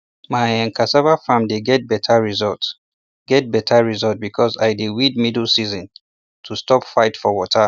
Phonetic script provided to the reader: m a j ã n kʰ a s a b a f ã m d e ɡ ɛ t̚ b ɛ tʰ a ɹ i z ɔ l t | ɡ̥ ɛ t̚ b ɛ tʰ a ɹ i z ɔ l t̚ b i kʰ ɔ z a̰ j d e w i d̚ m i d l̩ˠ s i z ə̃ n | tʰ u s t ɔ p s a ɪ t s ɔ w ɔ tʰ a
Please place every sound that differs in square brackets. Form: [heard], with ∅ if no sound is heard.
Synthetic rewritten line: m a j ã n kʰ a s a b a f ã m d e ɡ ɛ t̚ b ɛ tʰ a ɹ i z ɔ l t | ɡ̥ ɛ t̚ b ɛ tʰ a ɹ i z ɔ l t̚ b i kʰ ɔ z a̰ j d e w i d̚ m i d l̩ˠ s i z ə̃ n | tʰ u s t ɔ p [f] a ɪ t [f] ɔ w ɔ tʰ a